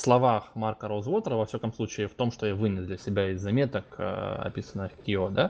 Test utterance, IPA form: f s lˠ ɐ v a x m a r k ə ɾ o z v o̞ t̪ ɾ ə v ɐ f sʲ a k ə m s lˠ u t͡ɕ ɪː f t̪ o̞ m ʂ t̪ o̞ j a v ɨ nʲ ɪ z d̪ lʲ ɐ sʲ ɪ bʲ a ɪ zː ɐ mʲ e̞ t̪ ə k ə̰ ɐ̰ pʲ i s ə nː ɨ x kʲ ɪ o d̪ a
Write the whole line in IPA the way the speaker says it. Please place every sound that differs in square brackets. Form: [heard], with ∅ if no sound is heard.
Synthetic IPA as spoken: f s lˠ ɐ v a x m a r k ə ɾ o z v o̞ t̪ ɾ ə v ɐ f sʲ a k ə m s lˠ u t͡ɕ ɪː f t̪ o̞ m ʂ t̪ o̞ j a v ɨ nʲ ɪ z d̪ lʲ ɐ sʲ ɪ bʲ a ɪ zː ɐ mʲ e̞ t̪ ə k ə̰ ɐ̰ pʲ i s ə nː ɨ x kʲ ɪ o d̪ a